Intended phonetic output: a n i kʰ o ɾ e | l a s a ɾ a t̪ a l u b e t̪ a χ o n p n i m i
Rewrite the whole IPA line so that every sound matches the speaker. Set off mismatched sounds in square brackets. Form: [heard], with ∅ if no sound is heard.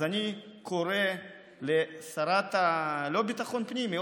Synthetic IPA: a n i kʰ o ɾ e | l [e] s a ɾ a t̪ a l [o] b [i] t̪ a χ o n p n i m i